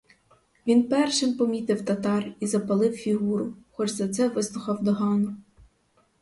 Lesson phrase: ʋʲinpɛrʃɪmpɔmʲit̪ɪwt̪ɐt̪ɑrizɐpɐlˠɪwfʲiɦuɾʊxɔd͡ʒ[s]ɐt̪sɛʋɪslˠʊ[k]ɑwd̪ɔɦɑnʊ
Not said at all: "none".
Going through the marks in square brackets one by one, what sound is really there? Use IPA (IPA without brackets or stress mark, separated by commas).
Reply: z, x